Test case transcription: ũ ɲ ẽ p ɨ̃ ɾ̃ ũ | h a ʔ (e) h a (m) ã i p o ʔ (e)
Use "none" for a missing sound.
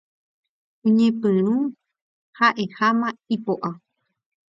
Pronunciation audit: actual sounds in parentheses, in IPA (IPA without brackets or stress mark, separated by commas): e, m, a